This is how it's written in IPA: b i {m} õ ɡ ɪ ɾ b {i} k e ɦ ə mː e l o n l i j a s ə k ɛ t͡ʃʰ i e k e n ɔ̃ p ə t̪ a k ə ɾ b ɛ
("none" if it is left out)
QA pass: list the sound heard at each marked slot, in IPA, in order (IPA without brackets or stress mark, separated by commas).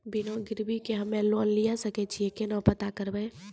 n, i